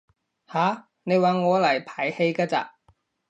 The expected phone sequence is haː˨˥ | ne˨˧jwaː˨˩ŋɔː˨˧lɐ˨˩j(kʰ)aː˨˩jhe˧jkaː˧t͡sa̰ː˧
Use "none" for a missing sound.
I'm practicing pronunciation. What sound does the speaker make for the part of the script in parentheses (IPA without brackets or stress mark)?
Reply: pʰ